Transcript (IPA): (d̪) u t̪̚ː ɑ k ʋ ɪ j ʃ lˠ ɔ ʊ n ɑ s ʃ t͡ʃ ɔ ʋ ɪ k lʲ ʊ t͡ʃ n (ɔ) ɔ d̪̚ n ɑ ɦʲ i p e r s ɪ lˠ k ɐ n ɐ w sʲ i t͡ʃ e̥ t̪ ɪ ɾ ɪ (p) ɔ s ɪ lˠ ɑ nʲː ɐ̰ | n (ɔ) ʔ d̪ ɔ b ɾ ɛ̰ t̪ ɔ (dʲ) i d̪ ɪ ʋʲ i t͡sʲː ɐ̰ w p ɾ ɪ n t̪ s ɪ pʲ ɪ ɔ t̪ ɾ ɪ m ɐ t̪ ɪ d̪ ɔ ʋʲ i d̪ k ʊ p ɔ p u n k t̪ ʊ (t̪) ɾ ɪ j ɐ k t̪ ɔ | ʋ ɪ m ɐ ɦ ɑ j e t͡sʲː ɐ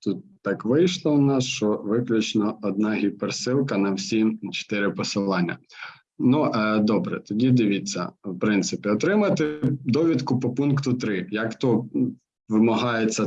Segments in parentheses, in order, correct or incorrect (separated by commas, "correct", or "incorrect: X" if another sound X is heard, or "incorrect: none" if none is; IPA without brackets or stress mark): incorrect: t̪, correct, correct, incorrect: u, correct, correct